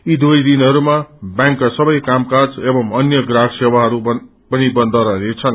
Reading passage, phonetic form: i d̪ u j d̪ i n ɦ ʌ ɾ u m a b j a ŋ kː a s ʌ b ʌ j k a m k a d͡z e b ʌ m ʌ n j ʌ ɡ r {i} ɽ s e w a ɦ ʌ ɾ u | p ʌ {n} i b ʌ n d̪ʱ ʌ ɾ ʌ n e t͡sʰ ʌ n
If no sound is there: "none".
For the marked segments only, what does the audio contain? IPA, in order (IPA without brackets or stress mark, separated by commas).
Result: a, n